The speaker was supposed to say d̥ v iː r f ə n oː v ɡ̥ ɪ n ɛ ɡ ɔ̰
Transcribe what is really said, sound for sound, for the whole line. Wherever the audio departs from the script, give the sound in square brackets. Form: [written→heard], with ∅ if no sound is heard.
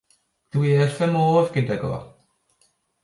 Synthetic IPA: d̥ [v→w] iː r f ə [n→m] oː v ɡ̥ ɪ [n→d] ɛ ɡ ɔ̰